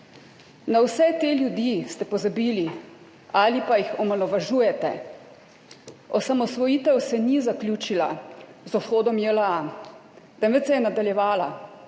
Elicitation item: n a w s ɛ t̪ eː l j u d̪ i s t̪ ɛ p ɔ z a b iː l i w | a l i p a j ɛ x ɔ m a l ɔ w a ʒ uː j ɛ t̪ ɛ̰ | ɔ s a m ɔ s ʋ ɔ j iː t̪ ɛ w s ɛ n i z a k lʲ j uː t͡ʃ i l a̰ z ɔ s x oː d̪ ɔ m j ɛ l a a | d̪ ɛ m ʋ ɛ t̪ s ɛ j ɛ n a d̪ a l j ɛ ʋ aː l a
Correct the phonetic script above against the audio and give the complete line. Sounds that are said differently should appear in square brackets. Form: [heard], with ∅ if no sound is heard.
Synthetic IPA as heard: n a w s ɛ t̪ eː l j u d̪ i s t̪ ɛ p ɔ z a b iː l i [∅] | a l i p a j [i] x ɔ m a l ɔ [ʋ] a ʒ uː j ɛ t̪ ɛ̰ | ɔ s a m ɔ s ʋ ɔ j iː t̪ ɛ w s ɛ n i z a k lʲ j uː t͡ʃ i l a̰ z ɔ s x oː d̪ ɔ m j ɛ l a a | [t̪] ɛ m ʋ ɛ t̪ s ɛ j ɛ n a d̪ a l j ɛ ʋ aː l a